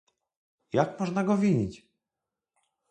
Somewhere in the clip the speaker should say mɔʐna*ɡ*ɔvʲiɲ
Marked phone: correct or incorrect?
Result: correct